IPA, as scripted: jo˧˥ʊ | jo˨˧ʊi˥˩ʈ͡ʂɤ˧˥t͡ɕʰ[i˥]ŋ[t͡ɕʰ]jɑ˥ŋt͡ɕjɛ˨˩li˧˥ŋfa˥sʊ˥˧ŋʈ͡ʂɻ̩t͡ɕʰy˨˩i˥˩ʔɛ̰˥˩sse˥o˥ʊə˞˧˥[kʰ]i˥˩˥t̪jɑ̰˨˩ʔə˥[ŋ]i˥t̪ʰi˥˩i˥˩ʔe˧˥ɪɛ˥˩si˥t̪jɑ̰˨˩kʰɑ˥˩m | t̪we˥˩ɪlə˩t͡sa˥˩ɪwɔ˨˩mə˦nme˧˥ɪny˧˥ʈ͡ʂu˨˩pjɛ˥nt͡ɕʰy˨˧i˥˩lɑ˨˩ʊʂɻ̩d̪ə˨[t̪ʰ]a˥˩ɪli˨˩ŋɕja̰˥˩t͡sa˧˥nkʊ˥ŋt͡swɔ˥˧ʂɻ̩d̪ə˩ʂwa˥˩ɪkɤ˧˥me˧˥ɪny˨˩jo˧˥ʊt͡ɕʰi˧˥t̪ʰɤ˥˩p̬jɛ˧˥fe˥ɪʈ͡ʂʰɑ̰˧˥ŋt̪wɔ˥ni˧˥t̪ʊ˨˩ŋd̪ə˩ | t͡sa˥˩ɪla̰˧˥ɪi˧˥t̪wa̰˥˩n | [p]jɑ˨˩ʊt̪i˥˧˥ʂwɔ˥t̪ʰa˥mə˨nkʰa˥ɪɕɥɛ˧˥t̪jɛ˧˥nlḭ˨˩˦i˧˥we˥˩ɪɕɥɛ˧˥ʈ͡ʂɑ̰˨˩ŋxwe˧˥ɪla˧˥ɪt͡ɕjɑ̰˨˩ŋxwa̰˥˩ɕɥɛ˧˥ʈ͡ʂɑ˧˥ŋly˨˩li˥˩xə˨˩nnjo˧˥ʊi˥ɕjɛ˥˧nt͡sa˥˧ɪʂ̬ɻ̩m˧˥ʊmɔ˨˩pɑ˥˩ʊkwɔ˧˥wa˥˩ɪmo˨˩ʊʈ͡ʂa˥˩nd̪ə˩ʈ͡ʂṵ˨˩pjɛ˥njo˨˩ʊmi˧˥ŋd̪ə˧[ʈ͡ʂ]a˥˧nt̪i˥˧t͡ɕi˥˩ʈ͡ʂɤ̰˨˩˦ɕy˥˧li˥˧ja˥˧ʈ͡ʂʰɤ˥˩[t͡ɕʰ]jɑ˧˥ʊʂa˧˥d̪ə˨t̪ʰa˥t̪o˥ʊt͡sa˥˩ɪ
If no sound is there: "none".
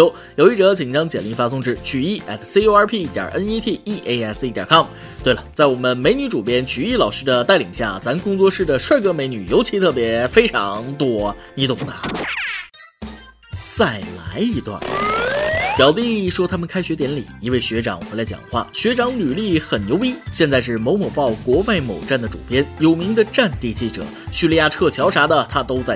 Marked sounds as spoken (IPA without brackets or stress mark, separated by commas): i˨˩, t͡ɕ, pʰ, n, t̪, p, ʈ͡ʂ, t͡ɕʰ